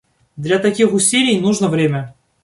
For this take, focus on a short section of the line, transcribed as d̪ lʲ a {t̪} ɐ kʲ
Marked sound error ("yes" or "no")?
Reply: no